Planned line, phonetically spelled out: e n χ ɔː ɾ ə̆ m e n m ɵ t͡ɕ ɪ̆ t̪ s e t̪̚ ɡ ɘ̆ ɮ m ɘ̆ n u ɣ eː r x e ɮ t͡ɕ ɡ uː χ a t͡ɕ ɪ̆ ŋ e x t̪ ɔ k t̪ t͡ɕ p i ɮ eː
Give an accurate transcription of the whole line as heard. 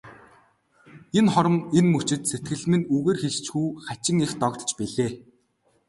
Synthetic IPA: e n χ ɔ ɾ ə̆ m e n m ɵ t͡ɕ ɪ̆ t̪ s e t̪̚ ɡ ɘ̆ ɮ m ɘ̆ n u ɣ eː r x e ɮ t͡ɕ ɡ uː χ a t͡ɕ ɪ̆ ŋ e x t̪ ɔ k t̪ t͡ɕ p i ɮ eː